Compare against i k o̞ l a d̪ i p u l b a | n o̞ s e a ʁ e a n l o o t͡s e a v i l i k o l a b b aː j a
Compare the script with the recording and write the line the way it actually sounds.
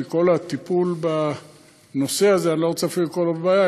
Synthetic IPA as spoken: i k o̞ l a t̪ i p u l b a | n o̞ s e a z e a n l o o t͡s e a f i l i k o l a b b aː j a